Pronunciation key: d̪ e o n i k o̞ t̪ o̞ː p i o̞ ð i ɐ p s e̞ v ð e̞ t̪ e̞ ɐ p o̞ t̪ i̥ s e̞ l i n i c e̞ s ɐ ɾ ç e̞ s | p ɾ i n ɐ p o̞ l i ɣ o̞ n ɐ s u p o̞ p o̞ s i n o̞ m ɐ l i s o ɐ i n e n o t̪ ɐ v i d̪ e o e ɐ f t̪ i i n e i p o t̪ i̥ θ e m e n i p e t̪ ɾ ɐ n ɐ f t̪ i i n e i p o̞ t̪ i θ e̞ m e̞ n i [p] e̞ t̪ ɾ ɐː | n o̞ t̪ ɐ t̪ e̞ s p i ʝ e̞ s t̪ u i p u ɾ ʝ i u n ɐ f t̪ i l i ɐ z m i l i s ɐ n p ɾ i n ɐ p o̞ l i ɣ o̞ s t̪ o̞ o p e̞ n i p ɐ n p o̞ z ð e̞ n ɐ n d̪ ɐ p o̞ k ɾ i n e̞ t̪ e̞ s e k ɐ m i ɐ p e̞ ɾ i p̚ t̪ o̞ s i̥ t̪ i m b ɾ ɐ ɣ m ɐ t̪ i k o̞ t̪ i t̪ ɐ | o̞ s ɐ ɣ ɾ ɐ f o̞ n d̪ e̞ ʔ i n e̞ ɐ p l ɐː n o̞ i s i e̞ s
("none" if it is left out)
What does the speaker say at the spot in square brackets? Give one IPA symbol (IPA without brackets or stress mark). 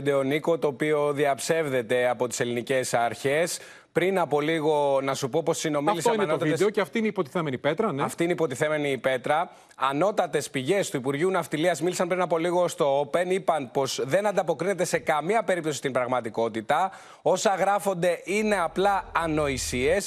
p